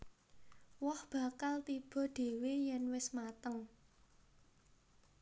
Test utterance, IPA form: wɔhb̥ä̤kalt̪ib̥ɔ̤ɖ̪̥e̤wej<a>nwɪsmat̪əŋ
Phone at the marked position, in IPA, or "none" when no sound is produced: ɛ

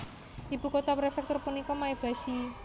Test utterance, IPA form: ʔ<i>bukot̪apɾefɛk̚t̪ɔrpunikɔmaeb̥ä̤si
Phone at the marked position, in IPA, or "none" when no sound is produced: i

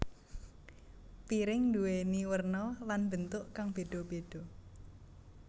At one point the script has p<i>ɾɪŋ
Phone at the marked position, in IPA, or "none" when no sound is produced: i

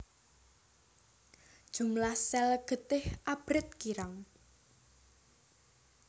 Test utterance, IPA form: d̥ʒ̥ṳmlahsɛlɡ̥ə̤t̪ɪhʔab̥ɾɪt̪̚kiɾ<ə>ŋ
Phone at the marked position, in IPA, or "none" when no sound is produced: a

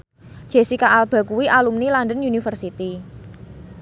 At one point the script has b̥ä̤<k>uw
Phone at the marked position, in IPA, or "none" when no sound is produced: k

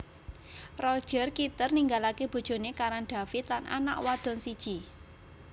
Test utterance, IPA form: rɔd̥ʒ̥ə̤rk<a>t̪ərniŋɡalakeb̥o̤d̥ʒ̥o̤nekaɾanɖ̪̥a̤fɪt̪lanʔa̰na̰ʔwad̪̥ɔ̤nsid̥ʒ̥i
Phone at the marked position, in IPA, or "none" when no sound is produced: i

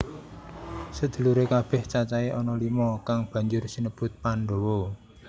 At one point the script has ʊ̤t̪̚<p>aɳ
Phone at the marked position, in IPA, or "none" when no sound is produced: p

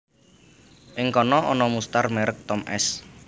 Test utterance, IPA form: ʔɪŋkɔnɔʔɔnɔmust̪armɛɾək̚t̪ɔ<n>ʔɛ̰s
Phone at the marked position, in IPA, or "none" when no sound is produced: m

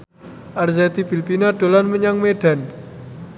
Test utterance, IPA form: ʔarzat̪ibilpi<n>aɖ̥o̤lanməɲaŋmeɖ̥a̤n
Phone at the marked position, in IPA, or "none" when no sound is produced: n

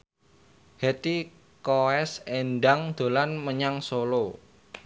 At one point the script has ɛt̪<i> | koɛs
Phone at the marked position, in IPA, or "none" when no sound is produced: i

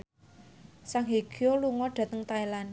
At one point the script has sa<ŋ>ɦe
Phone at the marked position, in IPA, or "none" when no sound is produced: ŋ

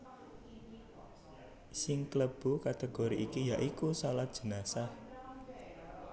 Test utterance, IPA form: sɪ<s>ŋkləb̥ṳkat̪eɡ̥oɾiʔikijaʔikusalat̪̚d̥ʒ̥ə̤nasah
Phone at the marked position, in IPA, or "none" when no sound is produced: none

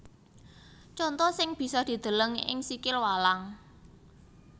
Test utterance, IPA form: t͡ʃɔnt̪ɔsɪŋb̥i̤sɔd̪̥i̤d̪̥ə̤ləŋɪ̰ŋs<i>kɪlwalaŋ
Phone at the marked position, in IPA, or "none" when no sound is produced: i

